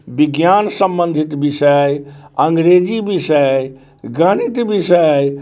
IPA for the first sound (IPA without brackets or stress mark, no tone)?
b